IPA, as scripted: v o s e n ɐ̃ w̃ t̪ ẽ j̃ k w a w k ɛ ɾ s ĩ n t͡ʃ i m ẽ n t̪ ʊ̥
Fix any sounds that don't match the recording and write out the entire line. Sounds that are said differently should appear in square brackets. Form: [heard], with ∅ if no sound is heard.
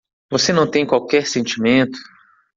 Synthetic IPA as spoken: v o s e n ɐ̃ w̃ t̪ ẽ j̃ k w a w k ɛ ɾ s [ẽ] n t͡ʃ i m ẽ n t̪ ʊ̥